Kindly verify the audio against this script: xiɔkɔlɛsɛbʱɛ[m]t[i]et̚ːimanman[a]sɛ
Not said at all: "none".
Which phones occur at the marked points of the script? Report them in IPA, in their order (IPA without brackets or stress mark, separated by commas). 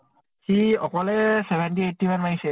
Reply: n, i, i